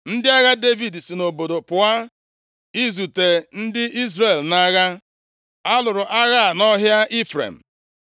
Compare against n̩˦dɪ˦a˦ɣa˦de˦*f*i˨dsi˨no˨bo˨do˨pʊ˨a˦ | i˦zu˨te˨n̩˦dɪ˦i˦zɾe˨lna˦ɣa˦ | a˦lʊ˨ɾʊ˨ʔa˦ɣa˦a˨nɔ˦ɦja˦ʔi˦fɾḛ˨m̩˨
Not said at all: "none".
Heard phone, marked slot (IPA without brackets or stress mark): v